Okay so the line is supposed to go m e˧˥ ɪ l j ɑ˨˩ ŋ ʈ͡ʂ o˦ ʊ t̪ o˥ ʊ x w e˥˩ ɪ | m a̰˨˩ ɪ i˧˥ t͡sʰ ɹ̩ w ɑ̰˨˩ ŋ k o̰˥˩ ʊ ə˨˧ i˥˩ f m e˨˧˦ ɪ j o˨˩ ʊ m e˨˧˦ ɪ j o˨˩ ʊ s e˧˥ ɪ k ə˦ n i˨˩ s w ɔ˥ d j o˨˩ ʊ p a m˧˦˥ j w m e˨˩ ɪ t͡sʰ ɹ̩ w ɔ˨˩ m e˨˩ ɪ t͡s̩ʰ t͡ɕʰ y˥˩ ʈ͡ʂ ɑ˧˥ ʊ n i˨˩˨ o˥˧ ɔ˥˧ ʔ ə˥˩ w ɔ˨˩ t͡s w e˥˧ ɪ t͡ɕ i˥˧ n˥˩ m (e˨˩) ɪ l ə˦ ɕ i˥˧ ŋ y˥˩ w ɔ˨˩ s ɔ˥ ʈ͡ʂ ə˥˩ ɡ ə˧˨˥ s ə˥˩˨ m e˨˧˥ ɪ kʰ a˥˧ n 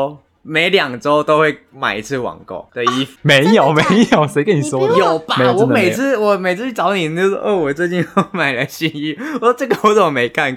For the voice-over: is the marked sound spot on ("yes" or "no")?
no